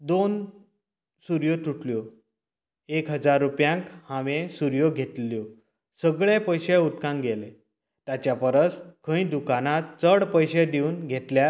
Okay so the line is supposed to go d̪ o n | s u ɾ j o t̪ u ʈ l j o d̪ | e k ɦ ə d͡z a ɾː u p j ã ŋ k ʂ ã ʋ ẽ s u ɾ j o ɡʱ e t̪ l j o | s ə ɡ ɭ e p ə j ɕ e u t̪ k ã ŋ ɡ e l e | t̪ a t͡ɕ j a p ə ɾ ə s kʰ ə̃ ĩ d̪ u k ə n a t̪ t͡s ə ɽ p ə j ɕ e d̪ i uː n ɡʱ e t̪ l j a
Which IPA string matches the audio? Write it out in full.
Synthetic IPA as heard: d̪ o n | s u ɾ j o t̪ u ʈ l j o | e k ɦ ə d͡z a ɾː u p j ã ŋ k h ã ʋ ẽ s u ɾ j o ɡʱ e t̪ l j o | s ə ɡ ɭ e p ə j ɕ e u t̪ k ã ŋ ɡ e l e | t̪ a t͡ɕ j a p ə ɾ ə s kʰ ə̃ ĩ d̪ u k a n a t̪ t͡s ə ɽ p ə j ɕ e d̪ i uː n ɡʱ e t̪ l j a